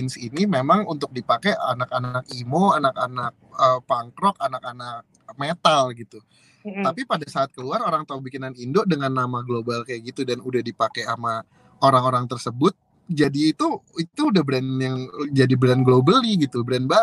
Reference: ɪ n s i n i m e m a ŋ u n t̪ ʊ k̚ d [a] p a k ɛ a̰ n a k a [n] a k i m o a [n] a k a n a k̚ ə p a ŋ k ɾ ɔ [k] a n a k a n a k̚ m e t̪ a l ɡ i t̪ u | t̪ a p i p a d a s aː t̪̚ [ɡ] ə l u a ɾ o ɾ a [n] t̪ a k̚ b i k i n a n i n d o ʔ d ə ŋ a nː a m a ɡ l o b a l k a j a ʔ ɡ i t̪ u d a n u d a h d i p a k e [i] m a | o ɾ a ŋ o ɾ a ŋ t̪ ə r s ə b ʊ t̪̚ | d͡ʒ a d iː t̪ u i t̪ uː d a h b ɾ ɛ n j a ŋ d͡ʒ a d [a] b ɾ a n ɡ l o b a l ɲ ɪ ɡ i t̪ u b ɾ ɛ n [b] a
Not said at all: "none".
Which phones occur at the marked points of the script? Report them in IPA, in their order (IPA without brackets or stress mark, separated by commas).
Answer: i, n, n, k, k, ŋ, a, i, b